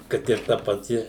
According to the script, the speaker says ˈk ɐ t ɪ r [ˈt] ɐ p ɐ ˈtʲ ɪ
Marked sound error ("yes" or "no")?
no